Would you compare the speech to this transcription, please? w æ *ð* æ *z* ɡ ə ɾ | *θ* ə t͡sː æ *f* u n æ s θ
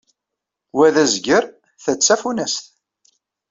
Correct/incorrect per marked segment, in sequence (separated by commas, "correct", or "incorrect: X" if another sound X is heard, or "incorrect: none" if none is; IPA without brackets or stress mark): correct, correct, correct, correct